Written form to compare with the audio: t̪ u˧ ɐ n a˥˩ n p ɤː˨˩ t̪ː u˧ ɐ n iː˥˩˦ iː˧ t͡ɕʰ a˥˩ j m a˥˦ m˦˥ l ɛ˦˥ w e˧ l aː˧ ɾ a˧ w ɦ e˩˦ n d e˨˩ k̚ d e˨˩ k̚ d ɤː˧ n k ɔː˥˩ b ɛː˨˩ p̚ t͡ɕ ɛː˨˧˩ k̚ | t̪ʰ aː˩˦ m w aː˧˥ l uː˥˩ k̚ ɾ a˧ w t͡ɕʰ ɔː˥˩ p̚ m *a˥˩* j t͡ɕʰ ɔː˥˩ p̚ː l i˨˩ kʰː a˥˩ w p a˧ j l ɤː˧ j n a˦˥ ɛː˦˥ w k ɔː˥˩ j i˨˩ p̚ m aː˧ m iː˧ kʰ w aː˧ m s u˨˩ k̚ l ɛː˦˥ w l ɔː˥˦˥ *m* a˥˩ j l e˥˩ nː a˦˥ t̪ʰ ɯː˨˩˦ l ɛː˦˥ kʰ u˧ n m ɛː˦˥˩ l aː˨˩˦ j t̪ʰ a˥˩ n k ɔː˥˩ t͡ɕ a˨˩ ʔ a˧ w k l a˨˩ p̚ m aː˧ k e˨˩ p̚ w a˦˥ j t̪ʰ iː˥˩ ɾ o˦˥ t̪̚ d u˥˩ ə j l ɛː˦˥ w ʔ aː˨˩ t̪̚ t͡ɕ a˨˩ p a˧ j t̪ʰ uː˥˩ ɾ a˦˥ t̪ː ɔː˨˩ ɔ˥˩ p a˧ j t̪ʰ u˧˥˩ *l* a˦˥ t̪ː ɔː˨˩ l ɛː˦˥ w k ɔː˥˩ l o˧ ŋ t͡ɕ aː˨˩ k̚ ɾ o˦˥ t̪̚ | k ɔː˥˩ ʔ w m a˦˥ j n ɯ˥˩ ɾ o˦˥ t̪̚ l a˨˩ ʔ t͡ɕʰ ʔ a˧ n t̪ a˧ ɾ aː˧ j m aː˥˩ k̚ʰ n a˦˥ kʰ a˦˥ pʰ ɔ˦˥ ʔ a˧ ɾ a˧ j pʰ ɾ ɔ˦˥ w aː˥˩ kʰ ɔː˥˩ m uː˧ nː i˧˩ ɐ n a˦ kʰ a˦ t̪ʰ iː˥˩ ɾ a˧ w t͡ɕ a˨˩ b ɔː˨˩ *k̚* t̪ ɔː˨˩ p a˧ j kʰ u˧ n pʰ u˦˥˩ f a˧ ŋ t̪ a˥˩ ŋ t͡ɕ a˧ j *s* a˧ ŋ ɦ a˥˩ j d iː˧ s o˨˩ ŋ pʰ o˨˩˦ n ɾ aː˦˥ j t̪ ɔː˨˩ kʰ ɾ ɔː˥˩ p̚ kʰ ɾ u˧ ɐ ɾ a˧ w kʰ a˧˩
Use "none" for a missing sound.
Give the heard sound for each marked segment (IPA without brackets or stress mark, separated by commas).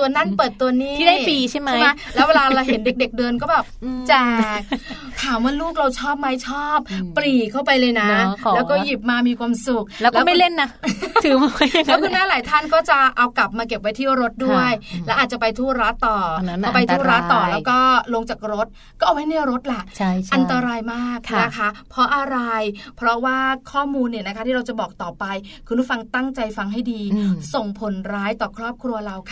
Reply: a˦˥, m, ɾ, k̚, f